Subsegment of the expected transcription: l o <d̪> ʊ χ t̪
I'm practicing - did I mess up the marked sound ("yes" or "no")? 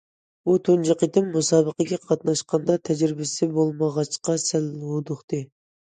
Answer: no